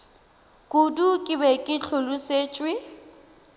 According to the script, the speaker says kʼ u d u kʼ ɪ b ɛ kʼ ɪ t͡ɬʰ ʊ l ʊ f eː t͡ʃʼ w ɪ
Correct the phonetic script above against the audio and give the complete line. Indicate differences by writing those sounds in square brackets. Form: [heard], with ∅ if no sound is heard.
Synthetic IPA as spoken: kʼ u d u kʼ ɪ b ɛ kʼ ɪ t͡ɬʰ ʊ l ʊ [s] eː t͡ʃʼ w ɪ